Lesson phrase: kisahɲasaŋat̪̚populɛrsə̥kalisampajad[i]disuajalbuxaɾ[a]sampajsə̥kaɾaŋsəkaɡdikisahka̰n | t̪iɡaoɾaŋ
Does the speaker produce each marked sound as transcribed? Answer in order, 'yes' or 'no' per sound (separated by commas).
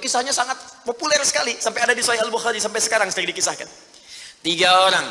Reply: no, no